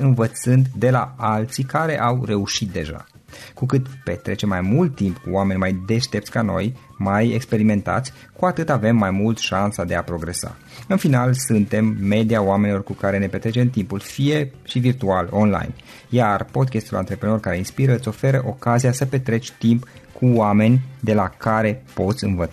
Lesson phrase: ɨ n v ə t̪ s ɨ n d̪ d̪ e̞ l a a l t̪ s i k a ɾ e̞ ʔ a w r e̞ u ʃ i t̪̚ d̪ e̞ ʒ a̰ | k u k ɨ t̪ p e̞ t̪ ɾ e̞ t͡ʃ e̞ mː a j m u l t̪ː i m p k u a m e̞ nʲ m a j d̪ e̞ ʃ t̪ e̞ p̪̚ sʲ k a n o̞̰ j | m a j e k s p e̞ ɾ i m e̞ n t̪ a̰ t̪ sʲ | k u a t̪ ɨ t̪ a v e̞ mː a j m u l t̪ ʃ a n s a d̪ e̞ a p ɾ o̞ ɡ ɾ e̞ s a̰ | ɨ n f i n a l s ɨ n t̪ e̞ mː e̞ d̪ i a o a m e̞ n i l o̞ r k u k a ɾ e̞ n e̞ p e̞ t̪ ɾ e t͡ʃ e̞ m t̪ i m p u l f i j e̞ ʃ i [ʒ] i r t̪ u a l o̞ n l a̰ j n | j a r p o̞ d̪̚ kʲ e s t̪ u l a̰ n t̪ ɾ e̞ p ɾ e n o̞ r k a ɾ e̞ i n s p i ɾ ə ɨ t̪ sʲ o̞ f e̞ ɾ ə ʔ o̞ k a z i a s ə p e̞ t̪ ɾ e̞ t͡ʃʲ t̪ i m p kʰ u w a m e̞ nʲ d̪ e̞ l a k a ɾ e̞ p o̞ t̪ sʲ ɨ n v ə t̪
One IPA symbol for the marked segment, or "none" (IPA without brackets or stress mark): v